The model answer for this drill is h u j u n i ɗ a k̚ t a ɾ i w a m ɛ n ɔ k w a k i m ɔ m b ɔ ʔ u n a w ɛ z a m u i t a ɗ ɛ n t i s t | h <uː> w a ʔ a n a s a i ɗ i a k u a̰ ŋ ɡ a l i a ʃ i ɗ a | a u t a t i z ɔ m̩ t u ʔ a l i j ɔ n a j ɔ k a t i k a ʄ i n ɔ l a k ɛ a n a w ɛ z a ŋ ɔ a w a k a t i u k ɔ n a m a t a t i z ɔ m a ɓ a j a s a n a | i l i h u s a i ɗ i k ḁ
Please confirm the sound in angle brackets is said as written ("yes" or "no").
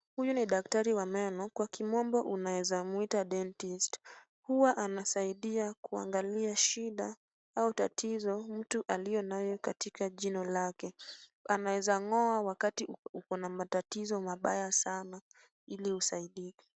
no